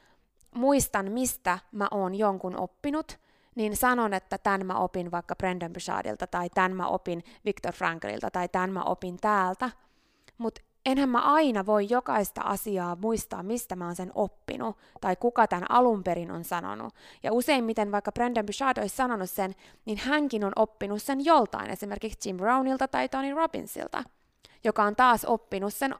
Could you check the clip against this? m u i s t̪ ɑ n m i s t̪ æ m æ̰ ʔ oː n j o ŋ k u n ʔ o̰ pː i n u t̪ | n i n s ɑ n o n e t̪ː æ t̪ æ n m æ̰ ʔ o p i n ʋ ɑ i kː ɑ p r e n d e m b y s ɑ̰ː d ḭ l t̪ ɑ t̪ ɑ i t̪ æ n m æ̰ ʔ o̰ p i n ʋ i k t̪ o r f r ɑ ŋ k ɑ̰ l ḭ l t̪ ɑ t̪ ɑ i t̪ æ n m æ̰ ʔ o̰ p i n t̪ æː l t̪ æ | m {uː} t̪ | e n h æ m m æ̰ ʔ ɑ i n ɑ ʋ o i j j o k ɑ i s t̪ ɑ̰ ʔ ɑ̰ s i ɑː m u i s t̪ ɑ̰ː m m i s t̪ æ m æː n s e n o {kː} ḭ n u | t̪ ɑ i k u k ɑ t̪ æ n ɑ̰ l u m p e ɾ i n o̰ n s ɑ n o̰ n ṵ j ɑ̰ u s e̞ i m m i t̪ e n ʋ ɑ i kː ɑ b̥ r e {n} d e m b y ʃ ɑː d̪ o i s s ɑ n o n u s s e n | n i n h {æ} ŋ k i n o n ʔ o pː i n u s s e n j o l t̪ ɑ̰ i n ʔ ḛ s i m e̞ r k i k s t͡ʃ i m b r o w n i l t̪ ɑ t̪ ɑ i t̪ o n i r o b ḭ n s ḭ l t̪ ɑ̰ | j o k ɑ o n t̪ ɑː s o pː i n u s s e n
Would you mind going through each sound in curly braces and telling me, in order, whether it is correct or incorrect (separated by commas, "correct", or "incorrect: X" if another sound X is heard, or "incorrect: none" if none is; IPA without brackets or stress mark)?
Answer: incorrect: u, incorrect: pː, correct, correct